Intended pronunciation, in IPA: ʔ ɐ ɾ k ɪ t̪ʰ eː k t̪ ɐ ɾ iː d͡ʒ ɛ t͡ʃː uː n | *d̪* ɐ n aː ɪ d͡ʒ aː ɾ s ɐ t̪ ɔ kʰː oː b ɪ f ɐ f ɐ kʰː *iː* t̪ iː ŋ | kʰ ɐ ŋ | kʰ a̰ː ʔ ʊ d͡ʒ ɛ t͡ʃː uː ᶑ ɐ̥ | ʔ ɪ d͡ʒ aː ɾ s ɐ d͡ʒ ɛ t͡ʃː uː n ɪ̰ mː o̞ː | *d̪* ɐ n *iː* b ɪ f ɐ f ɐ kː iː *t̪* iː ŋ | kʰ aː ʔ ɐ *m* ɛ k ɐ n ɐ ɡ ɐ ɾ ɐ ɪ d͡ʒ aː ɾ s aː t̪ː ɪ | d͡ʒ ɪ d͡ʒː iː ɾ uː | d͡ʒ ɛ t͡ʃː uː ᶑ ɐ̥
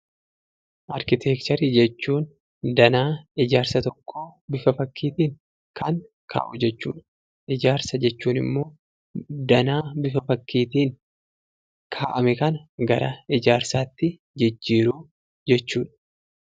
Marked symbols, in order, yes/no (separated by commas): yes, yes, yes, no, yes, yes